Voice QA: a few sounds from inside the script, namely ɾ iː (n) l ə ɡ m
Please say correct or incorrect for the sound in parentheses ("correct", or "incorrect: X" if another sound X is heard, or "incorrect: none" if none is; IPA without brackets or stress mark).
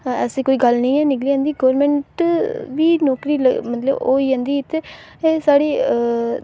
incorrect: none